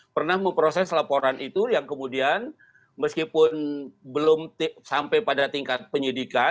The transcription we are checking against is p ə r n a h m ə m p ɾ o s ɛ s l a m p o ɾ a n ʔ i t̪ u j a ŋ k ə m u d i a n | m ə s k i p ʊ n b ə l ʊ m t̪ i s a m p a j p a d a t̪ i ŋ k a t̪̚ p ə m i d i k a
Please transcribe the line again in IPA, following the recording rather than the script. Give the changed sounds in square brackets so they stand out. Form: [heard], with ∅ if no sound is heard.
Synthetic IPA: p ə r n a h m ə m p ɾ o s ɛ s l a [∅] p o ɾ a n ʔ i t̪ u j a ŋ k ə m u d i a n | m ə s k i p ʊ n b ə l ʊ m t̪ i s a m p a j p a d a t̪ i ŋ k a t̪̚ p ə [ɲ] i d i k a

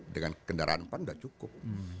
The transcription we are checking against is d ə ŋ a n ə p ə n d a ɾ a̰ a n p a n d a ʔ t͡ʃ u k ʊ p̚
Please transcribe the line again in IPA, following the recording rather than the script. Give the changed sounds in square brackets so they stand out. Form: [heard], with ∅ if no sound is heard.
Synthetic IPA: d ə ŋ a n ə [k] ə n d a ɾ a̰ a n p a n d a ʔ t͡ʃ u k ʊ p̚

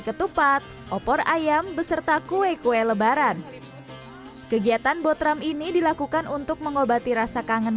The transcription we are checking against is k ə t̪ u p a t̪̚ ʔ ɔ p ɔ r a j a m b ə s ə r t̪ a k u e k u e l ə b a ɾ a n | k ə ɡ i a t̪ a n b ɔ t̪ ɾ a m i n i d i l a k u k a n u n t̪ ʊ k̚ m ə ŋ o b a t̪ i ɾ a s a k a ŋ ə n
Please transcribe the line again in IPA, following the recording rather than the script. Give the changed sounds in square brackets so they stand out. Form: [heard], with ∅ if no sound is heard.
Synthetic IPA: k ə t̪ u p a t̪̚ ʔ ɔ p ɔ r a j a m b ə s ə r t̪ a k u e k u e l ə b a ɾ a n | k ə ɡ i a t̪ a n b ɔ t̪ ɾ a m i n i d i l a k u k a n u n t̪ ʊ k̚ m ə ŋ o b a t̪ i ɾ a s a k a ŋ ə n

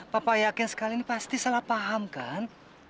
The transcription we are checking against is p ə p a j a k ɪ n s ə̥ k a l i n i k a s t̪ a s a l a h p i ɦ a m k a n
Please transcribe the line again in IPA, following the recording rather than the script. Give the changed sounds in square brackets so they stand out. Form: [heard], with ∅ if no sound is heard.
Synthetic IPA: p [a] p a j a k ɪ n s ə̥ k a l i n i [p] a s t̪ [i] s a l a h p [a] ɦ a m k a n

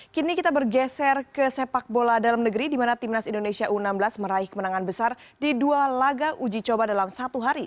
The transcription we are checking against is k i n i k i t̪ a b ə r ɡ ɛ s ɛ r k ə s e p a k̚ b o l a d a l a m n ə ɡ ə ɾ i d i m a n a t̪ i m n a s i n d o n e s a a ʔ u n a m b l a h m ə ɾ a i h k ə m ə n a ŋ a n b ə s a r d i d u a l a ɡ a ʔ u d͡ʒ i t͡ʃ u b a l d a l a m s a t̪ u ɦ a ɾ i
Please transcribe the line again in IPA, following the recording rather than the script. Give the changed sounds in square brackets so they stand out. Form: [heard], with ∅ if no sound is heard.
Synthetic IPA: k i n i k i t̪ a b ə r ɡ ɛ s ɛ r k ə s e p a k̚ b o l a d a l a m n ə ɡ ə ɾ i d i m a n a t̪ i m n a s i n d o n e s [i] a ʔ u n a m b l a [s] m ə ɾ a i h k ə m ə n a ŋ a n b ə s a r d i d u a l a ɡ a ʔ u d͡ʒ i t͡ʃ [o] b a [∅] d a l a m s a t̪ u ɦ a ɾ i

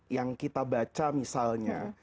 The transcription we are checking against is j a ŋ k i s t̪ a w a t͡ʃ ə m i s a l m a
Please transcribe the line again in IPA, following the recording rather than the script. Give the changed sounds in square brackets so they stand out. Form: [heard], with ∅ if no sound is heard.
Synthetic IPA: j a ŋ k i [∅] t̪ a [b] a t͡ʃ [a] m i s a l [ɲ] a

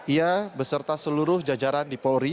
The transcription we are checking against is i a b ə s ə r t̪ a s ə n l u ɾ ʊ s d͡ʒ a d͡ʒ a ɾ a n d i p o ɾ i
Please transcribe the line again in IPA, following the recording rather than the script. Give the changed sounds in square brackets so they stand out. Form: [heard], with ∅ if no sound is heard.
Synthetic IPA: i a b ə s ə r t̪ a s ə [∅] l u ɾ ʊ [h] d͡ʒ a d͡ʒ a ɾ a n d i p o ɾ i

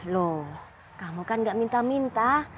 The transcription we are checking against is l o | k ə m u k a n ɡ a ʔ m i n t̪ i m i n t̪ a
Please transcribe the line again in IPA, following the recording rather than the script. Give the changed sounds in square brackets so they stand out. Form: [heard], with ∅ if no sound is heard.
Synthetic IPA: l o | k [a] m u k a n ɡ a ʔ m i n t̪ [a] m i n t̪ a

